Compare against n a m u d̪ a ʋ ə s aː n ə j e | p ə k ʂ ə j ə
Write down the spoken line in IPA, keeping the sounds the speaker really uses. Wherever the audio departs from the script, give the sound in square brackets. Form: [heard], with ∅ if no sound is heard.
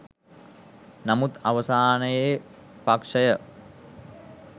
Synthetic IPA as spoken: n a m u [t̪] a ʋ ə s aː n ə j e | p [a] k ʂ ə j ə